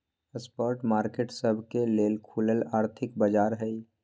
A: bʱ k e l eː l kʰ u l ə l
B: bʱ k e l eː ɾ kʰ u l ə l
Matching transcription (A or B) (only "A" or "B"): A